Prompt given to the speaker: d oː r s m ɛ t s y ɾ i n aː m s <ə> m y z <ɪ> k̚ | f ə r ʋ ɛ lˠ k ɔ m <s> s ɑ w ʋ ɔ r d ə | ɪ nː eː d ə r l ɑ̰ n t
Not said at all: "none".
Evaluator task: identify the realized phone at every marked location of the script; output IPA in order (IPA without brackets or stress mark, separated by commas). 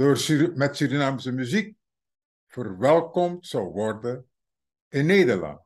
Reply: ə, i, t